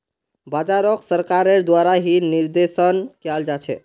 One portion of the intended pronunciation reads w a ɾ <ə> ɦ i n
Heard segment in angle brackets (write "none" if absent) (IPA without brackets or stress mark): a